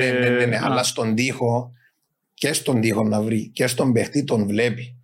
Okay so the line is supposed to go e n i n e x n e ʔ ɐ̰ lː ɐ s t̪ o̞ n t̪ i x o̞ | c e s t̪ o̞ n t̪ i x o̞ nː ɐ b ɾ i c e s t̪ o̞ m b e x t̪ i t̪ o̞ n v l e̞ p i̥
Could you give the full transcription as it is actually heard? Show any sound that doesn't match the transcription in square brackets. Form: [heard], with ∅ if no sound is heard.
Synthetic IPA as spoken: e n [e] n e [∅] n e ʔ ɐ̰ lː ɐ s t̪ o̞ n [d̪] i x o̞ | c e s t̪ o̞ n [d̪] i x o̞ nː ɐ [v] ɾ i c e s t̪ o̞ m b e x t̪ i t̪ o̞ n v l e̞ p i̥